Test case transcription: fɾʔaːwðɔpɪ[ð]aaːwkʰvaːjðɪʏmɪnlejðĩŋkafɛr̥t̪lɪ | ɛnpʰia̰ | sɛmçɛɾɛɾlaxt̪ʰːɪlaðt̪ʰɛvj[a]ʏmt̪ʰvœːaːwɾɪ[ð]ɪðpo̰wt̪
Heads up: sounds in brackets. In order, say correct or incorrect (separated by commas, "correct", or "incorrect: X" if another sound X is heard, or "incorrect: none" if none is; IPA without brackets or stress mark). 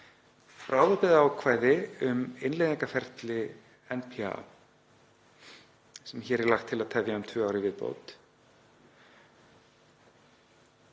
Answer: correct, correct, incorrect: v